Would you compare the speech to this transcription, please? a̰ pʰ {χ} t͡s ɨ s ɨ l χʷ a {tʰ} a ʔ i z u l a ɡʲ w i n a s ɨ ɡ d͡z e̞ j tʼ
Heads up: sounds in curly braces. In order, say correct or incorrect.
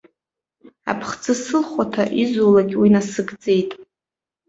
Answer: correct, correct

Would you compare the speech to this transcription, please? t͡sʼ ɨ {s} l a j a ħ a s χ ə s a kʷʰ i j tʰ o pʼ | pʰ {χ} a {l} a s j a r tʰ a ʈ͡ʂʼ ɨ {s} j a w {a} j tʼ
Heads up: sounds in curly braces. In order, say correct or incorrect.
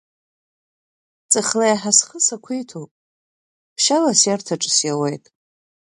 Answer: incorrect, incorrect, correct, correct, incorrect

